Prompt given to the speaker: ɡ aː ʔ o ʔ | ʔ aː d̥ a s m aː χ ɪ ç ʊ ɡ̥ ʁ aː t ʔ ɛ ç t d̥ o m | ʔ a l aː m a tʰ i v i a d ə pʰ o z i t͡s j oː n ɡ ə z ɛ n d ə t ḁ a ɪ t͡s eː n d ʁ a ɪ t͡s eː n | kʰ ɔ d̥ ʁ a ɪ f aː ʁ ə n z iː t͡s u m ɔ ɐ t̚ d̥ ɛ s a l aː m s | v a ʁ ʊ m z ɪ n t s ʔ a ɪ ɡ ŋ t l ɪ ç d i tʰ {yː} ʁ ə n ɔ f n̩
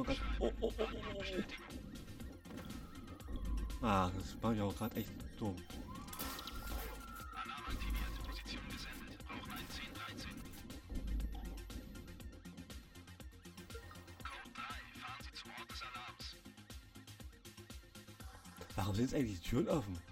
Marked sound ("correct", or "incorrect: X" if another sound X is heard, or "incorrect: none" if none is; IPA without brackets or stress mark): correct